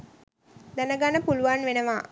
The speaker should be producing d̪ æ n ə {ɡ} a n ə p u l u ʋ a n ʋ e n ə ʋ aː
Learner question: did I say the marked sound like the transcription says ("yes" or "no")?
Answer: yes